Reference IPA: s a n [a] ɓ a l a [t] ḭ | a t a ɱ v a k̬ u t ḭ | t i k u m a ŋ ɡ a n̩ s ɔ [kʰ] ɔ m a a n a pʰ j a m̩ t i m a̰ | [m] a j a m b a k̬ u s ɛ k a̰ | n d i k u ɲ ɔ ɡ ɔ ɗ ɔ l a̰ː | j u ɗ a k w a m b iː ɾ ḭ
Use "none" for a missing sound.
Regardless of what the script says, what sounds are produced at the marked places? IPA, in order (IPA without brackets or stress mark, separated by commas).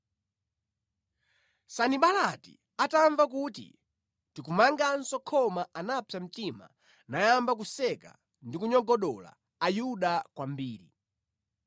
i, t, kʰ, n